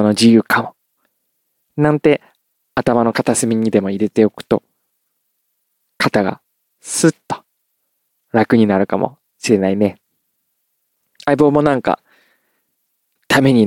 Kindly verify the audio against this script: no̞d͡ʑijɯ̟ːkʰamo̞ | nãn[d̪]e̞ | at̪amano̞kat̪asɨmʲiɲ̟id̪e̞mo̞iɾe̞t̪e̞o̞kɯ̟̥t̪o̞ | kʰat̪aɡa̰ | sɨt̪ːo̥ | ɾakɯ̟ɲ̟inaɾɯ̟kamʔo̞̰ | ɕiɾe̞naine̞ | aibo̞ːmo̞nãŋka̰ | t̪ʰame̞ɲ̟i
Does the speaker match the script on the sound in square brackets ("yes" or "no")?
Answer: no